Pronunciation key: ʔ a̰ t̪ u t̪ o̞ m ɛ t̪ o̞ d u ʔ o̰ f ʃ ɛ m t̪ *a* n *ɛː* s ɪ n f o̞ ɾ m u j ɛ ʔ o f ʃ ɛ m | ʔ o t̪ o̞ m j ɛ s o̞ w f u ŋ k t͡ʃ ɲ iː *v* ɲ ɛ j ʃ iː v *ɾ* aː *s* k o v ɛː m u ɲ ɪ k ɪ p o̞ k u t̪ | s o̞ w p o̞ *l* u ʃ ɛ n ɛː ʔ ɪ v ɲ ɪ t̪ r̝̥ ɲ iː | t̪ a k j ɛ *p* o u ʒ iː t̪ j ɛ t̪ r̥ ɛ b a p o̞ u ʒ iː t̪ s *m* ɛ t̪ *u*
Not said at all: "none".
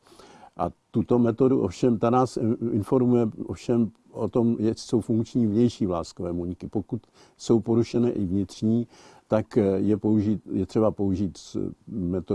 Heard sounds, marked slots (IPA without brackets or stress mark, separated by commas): a, aː, v, l, s, ɾ, p, m, o